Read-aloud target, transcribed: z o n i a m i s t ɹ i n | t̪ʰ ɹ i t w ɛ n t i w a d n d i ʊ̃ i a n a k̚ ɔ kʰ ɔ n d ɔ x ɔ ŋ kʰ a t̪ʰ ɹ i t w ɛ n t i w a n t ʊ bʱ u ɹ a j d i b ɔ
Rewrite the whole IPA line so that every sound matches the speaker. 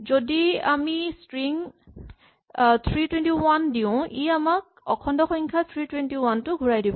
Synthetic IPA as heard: z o d i a m i s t ɹ i ŋ | t̪ʰ ɹ i t w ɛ n t i w a n d i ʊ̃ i a m a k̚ ɔ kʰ ɔ n d ɔ x ɔ ŋ kʰ a t̪ʰ ɹ i t w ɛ n t i w a n t ʊ ɡʱ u ɹ a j d i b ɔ